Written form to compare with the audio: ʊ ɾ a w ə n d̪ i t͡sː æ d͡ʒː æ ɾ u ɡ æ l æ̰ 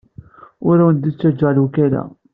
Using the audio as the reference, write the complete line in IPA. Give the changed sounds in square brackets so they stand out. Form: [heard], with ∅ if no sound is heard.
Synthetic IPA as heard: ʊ ɾ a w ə n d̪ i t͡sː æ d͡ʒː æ [l] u [k] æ l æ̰